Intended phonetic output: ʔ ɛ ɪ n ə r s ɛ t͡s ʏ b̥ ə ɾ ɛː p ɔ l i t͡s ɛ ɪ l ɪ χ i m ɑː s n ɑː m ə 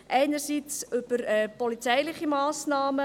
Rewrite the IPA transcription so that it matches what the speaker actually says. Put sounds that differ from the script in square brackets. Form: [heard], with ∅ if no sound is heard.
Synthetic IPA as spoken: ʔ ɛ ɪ n ə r s [i] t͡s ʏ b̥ ə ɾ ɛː p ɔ l i t͡s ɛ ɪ l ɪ χ i m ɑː s n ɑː m ə